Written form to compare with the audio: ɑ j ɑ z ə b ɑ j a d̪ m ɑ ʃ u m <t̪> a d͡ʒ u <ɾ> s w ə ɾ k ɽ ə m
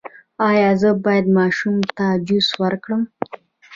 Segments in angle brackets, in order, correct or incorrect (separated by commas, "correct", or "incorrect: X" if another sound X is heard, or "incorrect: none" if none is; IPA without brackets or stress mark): correct, incorrect: none